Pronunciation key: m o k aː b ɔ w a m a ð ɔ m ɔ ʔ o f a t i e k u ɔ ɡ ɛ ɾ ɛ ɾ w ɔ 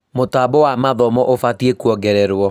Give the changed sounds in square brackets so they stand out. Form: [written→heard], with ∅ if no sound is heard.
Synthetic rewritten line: m o [k→t] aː b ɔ w a m a ð ɔ m ɔ ʔ o f a t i e k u ɔ ɡ ɛ ɾ ɛ ɾ w ɔ